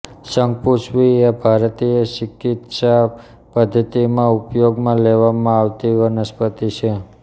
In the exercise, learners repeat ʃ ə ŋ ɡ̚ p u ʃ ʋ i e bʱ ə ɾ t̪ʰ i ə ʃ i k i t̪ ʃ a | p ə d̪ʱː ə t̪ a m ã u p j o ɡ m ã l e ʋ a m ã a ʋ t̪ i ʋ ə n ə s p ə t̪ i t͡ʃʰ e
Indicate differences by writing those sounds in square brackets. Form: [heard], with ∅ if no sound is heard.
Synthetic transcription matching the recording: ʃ ə ŋ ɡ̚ p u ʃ ʋ i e bʱ [a] ɾ [t̪] i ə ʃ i k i t̪ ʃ a | p ə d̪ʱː ə t̪ [i] m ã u p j o ɡ m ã l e ʋ a m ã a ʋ t̪ i ʋ ə n ə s p ə t̪ i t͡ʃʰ e